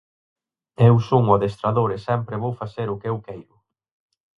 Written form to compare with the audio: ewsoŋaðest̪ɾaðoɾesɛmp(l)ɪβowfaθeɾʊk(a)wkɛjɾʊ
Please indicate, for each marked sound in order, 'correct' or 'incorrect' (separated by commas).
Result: incorrect, incorrect